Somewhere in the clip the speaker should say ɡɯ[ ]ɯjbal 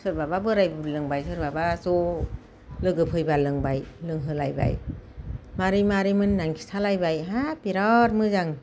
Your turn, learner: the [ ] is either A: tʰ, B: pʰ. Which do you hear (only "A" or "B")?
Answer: B